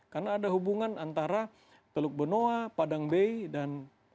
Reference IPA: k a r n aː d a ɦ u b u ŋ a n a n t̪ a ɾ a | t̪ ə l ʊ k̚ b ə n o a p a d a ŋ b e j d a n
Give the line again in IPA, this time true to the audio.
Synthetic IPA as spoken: k a r n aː d a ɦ u b u ŋ a n a n t̪ a ɾ a | t̪ ə l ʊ k̚ b ə n o a p a d a ŋ b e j d a n